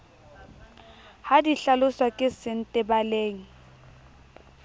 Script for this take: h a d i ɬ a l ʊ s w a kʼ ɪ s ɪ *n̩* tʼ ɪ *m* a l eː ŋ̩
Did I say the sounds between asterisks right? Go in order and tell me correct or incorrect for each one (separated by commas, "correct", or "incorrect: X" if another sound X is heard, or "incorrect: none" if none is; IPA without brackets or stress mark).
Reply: correct, incorrect: b